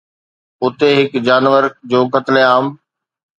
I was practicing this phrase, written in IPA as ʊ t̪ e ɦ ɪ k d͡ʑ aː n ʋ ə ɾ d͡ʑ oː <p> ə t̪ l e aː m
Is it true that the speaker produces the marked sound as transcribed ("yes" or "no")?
no